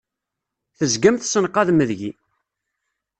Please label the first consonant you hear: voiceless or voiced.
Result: voiceless